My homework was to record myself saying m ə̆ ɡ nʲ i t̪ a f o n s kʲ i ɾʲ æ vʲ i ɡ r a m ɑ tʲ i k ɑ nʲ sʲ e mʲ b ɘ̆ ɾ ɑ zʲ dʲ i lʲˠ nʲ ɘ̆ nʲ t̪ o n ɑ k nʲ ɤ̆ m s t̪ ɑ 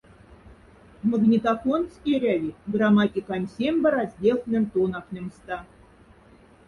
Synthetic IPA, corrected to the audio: m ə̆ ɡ nʲ i t̪ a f o n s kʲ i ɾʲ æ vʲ i ɡ r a m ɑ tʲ i k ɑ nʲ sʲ e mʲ b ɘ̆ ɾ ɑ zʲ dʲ e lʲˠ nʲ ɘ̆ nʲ t̪ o n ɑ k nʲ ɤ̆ m s t̪ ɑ